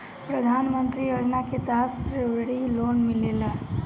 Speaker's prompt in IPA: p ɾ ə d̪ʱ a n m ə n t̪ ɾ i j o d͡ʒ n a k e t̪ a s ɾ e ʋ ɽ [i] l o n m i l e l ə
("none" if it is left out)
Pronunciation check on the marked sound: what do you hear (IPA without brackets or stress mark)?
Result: i